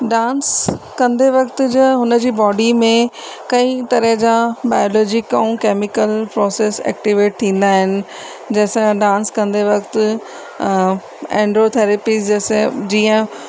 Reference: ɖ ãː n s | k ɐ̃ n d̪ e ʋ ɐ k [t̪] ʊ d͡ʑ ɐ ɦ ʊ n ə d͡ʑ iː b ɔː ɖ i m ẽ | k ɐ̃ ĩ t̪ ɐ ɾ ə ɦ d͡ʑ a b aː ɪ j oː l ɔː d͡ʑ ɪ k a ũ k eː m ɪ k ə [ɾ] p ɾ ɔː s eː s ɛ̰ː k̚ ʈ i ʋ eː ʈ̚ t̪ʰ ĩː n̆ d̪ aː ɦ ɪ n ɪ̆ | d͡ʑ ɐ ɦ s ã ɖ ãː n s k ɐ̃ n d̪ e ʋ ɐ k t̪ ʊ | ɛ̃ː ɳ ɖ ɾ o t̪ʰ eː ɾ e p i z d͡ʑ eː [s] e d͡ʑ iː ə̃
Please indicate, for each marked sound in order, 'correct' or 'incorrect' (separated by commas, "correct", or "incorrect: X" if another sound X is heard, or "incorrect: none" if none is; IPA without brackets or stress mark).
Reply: correct, incorrect: l, correct